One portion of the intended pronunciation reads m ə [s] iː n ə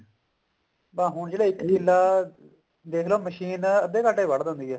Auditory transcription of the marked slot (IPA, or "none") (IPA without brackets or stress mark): ʃ